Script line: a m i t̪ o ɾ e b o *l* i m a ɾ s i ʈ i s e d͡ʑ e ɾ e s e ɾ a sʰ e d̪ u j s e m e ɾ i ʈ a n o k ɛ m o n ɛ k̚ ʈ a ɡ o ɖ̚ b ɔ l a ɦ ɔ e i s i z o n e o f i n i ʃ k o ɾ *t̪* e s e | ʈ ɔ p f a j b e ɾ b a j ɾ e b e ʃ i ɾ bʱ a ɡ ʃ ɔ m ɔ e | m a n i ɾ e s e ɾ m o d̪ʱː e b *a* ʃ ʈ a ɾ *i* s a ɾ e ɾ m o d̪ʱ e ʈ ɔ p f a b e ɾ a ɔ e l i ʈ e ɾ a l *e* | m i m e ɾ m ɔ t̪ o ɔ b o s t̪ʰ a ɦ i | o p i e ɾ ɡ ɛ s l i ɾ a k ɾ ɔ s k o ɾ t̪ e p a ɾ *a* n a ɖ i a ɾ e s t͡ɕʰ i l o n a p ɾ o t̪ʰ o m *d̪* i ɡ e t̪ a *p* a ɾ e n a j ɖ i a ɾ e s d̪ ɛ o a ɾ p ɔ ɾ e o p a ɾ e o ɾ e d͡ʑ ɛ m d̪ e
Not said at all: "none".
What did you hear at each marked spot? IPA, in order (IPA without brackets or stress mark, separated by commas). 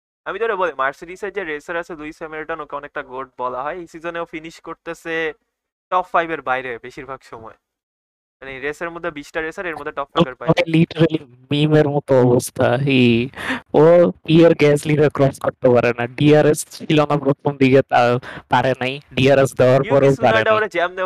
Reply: l, t̪, i, e, i, e, d̪, p